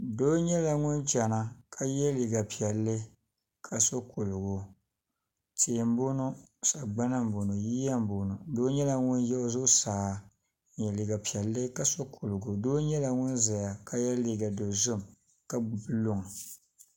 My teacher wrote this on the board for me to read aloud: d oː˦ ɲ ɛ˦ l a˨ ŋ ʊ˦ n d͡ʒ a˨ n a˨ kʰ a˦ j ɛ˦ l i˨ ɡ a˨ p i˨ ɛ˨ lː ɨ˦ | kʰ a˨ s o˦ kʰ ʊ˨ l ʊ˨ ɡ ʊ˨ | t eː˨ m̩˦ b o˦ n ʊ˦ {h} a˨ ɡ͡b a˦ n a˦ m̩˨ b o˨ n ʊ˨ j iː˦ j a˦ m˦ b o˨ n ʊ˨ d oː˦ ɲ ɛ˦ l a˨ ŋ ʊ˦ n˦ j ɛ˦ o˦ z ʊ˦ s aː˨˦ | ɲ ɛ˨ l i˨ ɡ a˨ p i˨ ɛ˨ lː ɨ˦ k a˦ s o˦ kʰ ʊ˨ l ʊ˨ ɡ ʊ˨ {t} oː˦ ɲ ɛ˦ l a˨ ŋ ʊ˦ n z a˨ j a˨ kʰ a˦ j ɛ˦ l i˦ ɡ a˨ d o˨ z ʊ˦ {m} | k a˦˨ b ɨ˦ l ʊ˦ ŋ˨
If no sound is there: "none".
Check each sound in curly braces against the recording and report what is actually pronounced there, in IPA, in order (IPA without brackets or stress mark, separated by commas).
s, d, m